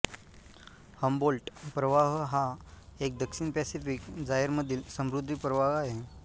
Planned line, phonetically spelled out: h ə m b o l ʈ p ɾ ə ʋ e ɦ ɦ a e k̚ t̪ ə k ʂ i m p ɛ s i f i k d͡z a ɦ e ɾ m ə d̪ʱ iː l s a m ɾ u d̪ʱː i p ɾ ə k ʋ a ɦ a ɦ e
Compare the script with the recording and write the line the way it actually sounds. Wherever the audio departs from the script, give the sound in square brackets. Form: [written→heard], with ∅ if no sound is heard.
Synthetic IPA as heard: h ə m b o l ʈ p ɾ ə ʋ [e→a] ɦ ɦ a e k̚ [t̪→d̪] ə k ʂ i [m→n] p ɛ s i f i k d͡z a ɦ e ɾ m ə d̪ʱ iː l s [a→ə] m ɾ u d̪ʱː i p ɾ ə [k→∅] ʋ a ɦ a ɦ e